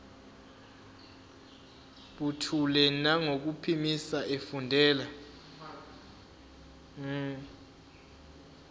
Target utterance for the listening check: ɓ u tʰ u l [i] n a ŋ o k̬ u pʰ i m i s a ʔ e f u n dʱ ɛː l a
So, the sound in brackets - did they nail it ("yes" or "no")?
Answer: no